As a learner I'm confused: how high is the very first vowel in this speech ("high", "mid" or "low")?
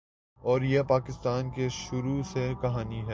mid